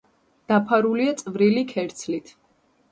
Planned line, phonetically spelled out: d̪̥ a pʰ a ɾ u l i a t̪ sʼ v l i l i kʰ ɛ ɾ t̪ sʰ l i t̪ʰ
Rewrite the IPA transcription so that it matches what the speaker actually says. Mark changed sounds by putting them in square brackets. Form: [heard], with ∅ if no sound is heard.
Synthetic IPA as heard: d̪̥ a pʰ a ɾ u l i a t̪ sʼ v [ɾ] i l i kʰ ɛ ɾ t̪ sʰ l i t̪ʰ